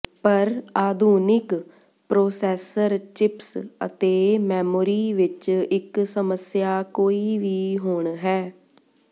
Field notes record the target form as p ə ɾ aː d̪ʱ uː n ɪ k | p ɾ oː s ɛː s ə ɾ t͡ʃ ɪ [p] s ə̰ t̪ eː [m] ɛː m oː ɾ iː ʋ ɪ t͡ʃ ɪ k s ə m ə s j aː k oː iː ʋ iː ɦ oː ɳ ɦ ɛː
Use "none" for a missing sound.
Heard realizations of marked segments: p, m

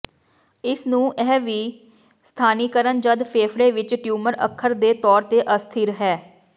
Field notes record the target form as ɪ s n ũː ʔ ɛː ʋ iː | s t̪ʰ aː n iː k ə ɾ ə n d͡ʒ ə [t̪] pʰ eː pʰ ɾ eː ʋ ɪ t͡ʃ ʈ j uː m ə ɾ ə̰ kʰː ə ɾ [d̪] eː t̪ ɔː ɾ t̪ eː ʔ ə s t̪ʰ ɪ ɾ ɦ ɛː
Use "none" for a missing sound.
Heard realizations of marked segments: d̪, d̪

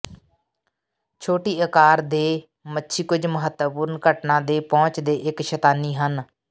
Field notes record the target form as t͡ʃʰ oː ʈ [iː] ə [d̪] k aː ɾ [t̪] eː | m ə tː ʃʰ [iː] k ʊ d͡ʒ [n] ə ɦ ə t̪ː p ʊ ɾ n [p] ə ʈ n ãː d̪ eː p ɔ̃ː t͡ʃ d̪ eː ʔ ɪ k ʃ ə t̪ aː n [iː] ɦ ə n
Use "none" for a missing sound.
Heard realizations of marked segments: iː, none, d̪, iː, m, k, iː

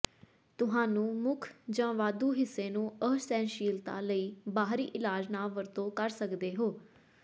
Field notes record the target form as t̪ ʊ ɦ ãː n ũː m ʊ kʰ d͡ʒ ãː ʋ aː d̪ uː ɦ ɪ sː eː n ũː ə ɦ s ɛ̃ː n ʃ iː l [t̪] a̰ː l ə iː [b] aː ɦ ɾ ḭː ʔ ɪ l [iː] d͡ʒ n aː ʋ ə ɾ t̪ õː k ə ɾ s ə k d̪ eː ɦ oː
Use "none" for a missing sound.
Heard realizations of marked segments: t̪, b, aː

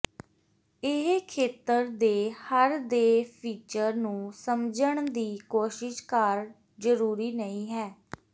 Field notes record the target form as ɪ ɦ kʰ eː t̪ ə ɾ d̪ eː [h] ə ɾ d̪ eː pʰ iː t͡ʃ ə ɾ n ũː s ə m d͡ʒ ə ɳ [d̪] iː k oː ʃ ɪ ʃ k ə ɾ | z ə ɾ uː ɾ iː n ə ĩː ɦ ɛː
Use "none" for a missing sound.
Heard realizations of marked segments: h, d̪

